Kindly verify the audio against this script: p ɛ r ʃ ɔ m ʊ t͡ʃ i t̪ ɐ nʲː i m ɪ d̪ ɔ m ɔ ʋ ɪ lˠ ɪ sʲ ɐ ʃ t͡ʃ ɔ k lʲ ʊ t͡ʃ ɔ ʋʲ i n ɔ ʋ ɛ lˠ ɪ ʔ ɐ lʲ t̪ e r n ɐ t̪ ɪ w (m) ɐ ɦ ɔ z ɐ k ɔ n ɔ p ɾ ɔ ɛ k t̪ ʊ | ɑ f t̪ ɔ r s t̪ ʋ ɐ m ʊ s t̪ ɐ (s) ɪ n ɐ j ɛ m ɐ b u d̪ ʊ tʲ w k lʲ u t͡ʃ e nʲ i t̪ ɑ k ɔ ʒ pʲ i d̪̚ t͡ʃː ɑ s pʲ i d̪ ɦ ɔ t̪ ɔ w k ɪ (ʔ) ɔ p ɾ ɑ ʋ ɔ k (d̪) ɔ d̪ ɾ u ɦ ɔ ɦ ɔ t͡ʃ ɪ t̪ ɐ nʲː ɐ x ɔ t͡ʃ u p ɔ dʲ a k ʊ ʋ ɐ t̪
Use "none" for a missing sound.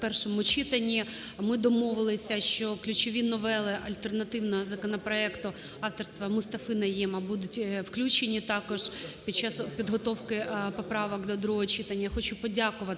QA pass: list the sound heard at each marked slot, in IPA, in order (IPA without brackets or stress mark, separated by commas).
n, f, p, d̪